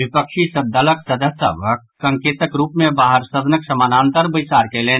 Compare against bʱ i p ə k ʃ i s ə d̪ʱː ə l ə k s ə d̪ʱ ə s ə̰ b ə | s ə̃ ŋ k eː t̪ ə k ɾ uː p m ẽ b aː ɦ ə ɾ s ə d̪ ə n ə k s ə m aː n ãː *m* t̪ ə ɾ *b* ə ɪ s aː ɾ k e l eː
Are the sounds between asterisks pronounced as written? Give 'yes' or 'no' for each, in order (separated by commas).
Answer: no, yes